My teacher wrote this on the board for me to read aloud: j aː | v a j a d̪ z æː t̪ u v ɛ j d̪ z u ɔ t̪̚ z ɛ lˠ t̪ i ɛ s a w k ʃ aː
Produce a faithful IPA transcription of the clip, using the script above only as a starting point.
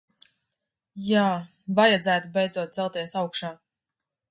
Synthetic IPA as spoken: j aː | v a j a d̪ z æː t̪ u b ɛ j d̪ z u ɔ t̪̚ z ɛ lˠ t̪ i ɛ s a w k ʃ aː